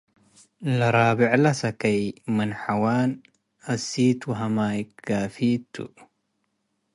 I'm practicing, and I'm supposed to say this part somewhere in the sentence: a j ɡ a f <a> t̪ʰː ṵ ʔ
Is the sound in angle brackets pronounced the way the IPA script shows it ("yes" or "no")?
no